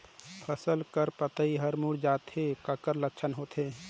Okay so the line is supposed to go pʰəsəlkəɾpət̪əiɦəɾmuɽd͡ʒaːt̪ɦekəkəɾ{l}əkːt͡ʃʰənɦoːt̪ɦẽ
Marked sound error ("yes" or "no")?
no